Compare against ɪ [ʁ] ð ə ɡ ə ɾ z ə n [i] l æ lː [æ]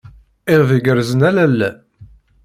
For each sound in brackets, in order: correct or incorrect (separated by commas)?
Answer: correct, incorrect, correct